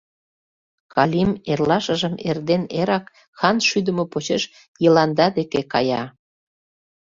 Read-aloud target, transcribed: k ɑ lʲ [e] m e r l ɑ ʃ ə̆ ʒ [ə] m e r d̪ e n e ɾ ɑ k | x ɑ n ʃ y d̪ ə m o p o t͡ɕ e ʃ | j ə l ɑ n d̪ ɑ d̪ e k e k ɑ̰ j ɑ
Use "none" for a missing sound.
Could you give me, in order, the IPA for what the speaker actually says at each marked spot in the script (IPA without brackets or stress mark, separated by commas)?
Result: i, ə